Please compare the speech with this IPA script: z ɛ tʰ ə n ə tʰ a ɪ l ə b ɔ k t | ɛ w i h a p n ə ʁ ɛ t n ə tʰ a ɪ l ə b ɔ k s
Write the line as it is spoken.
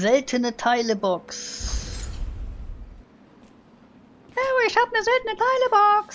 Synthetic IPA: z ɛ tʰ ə n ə tʰ a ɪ l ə b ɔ k s | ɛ w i ʃ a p n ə z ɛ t n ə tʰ a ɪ l ə b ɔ k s